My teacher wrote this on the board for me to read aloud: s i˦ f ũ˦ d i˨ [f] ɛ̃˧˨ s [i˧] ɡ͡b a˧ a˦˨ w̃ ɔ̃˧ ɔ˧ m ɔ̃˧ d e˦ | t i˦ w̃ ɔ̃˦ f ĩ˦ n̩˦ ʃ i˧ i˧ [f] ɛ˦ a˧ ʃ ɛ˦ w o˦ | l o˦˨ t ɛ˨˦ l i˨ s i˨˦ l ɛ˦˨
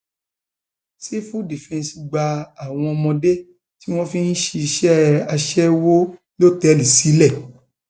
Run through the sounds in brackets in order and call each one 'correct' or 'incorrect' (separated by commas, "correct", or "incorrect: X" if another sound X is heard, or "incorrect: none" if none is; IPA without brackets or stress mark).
correct, correct, incorrect: ʃ